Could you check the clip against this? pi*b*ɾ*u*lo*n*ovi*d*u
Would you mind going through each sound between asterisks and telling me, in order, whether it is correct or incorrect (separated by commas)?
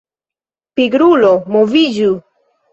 incorrect, correct, incorrect, incorrect